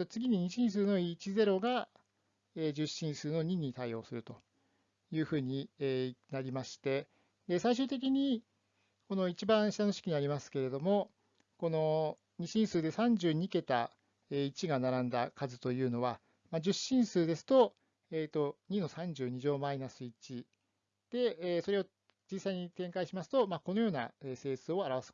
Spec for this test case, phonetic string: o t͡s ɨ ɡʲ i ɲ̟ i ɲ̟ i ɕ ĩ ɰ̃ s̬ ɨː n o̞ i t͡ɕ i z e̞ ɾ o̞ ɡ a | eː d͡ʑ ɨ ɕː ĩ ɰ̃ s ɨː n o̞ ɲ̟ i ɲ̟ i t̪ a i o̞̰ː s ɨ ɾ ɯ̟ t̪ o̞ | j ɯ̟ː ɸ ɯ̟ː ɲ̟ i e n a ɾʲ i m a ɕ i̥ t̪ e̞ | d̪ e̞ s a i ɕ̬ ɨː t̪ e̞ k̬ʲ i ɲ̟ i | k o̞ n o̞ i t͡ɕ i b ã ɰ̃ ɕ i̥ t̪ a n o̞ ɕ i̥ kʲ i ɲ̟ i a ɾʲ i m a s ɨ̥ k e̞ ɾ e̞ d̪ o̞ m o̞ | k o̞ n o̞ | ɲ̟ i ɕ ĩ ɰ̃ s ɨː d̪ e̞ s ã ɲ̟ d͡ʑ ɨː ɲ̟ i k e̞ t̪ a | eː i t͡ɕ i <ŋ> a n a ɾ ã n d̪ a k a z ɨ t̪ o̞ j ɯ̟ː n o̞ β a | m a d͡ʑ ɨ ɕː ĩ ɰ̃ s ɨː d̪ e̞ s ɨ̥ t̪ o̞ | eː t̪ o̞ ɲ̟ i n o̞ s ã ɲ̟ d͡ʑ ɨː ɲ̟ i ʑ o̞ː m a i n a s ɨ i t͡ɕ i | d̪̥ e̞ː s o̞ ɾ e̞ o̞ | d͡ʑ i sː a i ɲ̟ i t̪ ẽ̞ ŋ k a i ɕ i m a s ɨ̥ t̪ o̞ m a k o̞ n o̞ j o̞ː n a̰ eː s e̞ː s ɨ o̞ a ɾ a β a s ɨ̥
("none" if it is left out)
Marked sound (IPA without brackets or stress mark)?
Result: ɡ